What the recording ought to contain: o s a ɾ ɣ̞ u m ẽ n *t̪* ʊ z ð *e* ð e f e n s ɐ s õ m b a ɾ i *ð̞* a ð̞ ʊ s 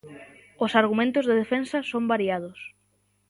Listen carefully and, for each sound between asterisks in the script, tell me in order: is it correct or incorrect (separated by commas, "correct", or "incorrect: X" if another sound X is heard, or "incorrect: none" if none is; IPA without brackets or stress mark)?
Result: correct, correct, incorrect: none